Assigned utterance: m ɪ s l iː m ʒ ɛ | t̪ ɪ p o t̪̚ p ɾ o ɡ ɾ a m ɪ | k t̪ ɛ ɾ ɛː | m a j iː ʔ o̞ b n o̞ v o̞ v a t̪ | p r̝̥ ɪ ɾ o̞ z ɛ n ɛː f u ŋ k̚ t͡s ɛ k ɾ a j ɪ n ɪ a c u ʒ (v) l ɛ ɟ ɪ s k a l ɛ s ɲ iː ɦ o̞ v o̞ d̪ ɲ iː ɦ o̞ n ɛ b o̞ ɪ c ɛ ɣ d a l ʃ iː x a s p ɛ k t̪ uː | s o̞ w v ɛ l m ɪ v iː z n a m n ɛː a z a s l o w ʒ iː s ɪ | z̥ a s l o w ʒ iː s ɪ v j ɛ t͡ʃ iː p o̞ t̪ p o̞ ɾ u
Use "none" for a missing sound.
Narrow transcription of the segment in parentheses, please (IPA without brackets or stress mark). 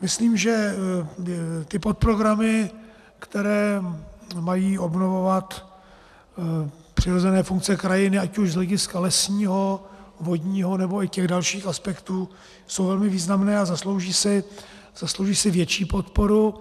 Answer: z